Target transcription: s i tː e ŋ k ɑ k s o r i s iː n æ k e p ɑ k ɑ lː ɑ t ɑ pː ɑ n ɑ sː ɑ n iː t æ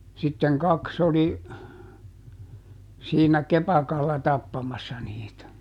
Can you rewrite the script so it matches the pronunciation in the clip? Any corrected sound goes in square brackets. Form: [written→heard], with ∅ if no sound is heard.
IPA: s i tː e ŋ k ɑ k s o [r→l] i s iː n æ k e p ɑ k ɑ lː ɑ t ɑ pː ɑ [n→m] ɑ sː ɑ n iː t æ